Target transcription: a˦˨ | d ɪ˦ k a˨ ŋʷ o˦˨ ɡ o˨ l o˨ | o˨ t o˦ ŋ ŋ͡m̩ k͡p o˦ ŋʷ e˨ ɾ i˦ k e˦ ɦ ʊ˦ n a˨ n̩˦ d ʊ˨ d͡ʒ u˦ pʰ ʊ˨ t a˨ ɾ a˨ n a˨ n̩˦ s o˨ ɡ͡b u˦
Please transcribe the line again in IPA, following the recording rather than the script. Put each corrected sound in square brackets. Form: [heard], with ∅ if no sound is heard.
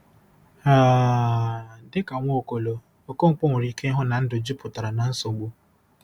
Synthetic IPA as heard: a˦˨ | d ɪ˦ k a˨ ŋʷ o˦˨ [k] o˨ l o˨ | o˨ [k] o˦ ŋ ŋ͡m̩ k͡p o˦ ŋʷ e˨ ɾ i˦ k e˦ ɦ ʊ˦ n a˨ n̩˦ d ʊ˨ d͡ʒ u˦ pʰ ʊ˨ t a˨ ɾ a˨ n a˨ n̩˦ s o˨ ɡ͡b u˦